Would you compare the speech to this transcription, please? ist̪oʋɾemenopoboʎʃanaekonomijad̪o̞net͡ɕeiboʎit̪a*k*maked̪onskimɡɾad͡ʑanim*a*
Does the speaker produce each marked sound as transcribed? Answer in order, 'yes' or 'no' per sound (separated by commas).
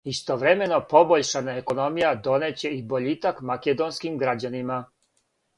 yes, yes